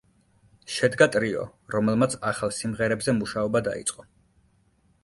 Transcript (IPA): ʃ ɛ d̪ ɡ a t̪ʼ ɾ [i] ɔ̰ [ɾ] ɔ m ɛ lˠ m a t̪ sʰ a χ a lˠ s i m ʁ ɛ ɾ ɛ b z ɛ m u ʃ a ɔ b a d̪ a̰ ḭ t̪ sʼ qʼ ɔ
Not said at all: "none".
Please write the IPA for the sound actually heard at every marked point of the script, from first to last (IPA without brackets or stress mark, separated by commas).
i, ɾ